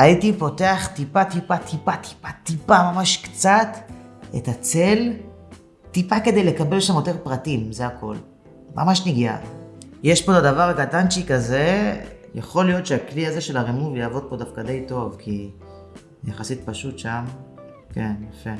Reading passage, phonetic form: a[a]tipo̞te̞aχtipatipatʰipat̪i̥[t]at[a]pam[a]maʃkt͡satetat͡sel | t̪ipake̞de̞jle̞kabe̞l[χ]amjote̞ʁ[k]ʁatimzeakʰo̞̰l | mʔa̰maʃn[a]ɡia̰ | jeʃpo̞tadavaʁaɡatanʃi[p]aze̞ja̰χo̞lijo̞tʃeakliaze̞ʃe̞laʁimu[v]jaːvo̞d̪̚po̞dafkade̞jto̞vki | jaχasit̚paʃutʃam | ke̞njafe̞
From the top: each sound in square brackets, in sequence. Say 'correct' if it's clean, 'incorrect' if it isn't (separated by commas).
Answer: incorrect, incorrect, incorrect, correct, incorrect, incorrect, incorrect, incorrect, correct